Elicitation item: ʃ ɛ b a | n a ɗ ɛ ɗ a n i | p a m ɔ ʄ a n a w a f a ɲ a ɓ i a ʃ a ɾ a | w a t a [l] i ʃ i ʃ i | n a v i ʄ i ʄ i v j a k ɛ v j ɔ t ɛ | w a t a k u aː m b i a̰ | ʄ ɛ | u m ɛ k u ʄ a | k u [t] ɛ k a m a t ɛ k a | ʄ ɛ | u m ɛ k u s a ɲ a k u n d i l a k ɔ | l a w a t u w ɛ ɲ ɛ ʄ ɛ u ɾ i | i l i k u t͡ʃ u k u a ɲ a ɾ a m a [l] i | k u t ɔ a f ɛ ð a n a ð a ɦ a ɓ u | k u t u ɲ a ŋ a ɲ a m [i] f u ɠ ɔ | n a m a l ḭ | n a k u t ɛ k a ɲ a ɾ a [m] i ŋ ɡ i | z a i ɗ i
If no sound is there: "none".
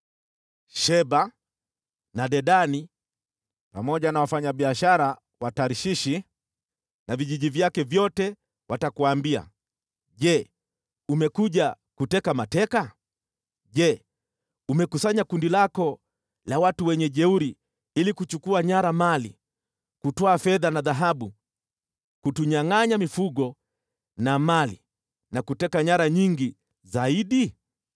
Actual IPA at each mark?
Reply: ɾ, t, l, i, ɲ

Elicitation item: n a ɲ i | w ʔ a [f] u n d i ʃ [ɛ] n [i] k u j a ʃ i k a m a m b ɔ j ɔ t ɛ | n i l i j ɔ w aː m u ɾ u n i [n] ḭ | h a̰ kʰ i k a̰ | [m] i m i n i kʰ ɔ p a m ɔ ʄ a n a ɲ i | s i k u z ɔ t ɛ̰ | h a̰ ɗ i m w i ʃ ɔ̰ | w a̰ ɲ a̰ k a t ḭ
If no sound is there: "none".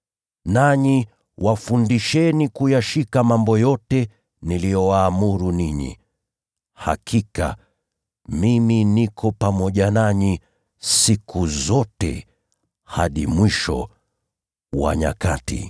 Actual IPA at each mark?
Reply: f, ɛ, i, ɲ, m

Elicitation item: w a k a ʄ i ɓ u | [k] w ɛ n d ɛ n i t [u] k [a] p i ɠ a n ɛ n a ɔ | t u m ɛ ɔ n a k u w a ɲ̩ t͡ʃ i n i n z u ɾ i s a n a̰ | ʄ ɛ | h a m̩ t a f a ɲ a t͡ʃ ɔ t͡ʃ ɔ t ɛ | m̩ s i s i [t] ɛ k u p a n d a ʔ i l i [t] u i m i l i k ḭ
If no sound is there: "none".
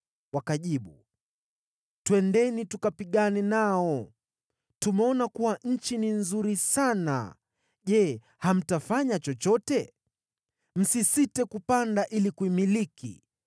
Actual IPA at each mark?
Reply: t, u, a, t, k

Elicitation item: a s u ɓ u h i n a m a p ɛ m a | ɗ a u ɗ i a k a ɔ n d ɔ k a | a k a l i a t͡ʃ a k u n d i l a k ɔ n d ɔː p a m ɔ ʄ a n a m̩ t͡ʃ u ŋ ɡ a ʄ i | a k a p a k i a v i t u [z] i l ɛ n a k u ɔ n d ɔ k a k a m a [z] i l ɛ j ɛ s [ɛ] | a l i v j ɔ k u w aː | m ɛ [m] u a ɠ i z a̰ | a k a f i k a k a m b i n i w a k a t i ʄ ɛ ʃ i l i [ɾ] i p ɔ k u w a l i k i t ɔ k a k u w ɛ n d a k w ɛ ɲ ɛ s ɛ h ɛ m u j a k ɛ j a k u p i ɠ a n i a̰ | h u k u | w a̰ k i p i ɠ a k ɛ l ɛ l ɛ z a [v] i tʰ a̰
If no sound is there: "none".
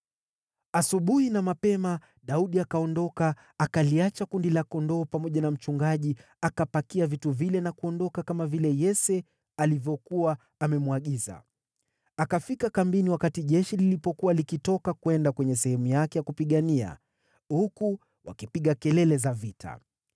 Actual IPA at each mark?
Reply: v, v, ɛ, m, l, v

